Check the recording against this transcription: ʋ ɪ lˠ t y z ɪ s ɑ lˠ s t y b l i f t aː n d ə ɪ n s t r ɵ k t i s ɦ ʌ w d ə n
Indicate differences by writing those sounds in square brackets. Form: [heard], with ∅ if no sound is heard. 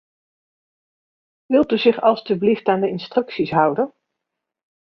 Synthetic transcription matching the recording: ʋ ɪ lˠ t y z ɪ [χ] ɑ lˠ s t y b l i f t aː n d ə ɪ n s t r ɵ k [s] i s ɦ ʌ w d ə n

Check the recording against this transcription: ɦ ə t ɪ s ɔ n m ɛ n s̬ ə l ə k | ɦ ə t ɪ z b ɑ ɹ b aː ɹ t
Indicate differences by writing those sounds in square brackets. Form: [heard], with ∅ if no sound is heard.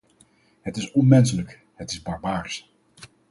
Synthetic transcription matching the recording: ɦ ə t ɪ s ɔ n m ɛ n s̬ ə l ə k | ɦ ə t ɪ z b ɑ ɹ b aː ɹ [s]

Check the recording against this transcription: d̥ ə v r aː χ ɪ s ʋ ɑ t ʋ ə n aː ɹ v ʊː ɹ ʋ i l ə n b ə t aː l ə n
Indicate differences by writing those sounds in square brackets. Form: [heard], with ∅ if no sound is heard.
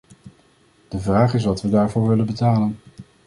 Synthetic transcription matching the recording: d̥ ə v r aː χ ɪ s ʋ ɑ t ʋ ə [d] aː ɹ v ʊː ɹ ʋ [ɪ] l ə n b ə t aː l ə n

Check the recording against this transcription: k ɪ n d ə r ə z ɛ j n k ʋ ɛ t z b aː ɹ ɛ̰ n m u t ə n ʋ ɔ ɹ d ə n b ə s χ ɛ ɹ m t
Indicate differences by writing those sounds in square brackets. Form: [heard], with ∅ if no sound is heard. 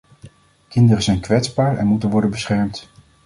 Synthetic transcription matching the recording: k ɪ n d ə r ə z ɛ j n k ʋ ɛ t z b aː ɹ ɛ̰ n m u t ə n ʋ ɔ ɹ d ə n b ə s χ ɛ ɹ m t

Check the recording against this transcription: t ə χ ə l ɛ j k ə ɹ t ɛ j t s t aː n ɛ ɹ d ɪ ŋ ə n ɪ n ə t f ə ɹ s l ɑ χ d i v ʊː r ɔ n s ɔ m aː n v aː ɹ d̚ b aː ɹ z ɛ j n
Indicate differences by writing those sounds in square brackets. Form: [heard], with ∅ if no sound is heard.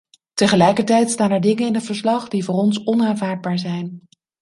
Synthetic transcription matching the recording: t ə χ ə l ɛ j k ə ɹ t ɛ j t s t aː n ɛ ɹ d ɪ ŋ ə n ɪ n ə t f ə ɹ s l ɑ χ d i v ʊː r ɔ n s ɔ [n] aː n v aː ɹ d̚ b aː ɹ z ɛ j n

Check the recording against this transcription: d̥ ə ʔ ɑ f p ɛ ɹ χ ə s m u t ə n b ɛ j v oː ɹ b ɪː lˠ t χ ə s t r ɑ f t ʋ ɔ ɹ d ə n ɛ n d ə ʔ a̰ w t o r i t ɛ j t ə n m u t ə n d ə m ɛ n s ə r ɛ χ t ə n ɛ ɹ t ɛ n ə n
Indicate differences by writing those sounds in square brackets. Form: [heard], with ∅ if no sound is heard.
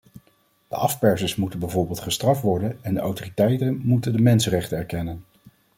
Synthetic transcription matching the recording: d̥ ə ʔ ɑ f p ɛ ɹ [s] ə s m u t ə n b ɛ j v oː ɹ b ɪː lˠ t χ ə s t r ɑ f t ʋ ɔ ɹ d ə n ɛ n d ə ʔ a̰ w t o r i t ɛ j t ə n m u t ə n d ə m ɛ n s ə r ɛ χ t ə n ɛ ɹ [k] ɛ n ə n

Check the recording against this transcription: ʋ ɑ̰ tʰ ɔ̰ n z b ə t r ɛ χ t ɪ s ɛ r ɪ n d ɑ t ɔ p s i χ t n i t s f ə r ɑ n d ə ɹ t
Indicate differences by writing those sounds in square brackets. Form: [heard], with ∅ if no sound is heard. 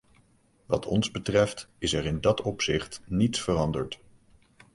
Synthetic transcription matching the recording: ʋ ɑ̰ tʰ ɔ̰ n z b ə t r ɛ [f] t ɪ s ɛ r ɪ n d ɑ t ɔ p s [ɪ] χ t n i t s f ə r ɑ n d ə ɹ t

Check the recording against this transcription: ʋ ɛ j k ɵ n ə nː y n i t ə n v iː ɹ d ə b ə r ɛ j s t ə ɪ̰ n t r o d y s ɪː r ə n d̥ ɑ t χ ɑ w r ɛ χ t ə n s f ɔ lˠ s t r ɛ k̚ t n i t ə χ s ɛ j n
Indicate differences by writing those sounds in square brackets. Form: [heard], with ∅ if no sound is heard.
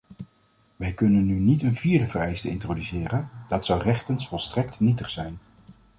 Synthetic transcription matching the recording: ʋ ɛ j k ɵ n ə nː y n i t ə n v iː ɹ d ə [v] ə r ɛ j s t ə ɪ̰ n t r o d y s ɪː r ə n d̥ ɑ t [s] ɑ w r ɛ χ t ə n s f ɔ lˠ s t r ɛ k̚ t n i t ə χ s ɛ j n

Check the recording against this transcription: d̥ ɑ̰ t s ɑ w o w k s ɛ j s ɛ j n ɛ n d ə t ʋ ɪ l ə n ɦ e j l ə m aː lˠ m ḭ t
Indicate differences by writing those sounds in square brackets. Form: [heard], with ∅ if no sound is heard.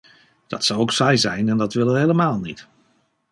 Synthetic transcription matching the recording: d̥ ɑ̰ t s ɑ w o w k s ɛ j [z] ɛ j n ɛ n d [ɑ] t ʋ ɪ l ə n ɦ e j l ə m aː lˠ [n] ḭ t

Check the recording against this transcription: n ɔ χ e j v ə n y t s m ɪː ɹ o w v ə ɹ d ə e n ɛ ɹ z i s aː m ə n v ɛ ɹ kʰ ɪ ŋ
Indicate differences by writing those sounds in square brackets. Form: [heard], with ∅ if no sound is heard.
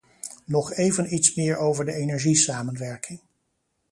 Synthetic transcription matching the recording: n ɔ χ e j v ə n [i] t s m ɪː ɹ o w v ə ɹ d ə e n ɛ ɹ [ʒ] i s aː m ə n [ʋ] ɛ ɹ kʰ ɪ ŋ

